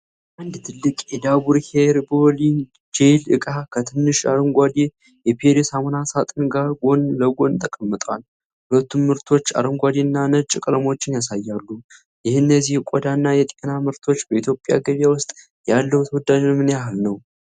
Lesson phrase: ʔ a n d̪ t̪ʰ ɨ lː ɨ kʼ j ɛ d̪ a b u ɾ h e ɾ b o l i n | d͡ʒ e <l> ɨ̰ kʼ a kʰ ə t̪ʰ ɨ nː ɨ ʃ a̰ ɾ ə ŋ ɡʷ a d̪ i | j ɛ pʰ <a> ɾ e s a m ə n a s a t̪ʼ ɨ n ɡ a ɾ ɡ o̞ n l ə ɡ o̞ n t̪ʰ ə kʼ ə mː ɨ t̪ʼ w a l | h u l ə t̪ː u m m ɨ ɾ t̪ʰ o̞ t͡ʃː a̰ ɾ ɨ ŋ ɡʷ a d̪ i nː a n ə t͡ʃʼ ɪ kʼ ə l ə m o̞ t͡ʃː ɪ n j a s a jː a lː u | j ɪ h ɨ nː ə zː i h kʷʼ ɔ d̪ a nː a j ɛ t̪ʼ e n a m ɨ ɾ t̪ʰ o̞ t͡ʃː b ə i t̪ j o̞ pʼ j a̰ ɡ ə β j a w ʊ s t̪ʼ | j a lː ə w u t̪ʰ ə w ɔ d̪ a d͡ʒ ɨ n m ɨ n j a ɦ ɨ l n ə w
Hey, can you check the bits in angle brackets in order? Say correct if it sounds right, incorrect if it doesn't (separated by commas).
correct, incorrect